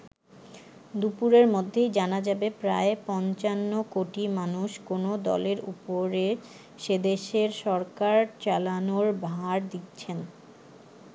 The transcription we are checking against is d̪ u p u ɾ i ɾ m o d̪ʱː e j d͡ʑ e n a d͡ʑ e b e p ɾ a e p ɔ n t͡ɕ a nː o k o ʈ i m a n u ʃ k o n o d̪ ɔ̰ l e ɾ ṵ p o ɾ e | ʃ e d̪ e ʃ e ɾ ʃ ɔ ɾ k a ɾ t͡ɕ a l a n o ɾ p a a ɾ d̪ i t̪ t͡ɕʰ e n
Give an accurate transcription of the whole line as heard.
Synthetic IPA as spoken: d̪ u p u ɾ e ɾ m o d̪ʱː e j d͡ʑ a n a d͡ʑ a b e p ɾ a e p ɔ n t͡ɕ a nː o k o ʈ i m a n u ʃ k o n o d̪ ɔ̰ l e ɾ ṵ p o ɾ e | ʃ e d̪ e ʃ e ɾ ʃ ɔ ɾ k a ɾ t͡ɕ a l a n o ɾ b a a ɾ d̪ i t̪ t͡ɕʰ e n